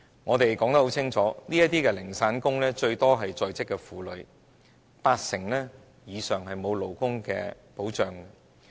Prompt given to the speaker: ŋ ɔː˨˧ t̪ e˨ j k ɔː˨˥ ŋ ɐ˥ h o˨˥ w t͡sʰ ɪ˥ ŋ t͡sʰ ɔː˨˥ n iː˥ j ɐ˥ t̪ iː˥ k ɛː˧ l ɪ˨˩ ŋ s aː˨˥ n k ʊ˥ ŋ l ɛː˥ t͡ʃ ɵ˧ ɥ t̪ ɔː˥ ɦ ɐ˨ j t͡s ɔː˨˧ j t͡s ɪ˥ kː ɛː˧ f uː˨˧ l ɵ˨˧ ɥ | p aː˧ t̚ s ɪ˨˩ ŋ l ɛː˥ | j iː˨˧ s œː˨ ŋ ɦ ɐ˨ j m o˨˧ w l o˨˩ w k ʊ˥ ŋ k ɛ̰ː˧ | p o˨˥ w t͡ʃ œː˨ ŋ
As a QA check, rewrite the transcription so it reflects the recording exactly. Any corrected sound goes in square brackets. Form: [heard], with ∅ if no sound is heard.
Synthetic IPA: ŋ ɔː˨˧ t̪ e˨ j k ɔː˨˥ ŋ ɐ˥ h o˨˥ w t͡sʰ ɪ˥ ŋ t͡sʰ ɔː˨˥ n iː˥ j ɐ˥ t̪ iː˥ k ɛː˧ l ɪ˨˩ ŋ s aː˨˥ n k ʊ˥ ŋ l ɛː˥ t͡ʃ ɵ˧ ɥ t̪ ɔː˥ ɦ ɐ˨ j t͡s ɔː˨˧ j t͡s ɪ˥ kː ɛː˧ f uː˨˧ l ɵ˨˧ ɥ | p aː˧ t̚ s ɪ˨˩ ŋ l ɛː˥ | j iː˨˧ s œː˨ ŋ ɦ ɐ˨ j m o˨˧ w l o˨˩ w k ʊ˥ ŋ k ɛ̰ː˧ | p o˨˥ w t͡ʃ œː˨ ŋ